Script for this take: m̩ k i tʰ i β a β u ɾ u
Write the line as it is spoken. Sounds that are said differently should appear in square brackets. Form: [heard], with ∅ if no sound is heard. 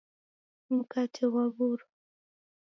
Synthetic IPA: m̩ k [a] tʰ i [w] a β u ɾ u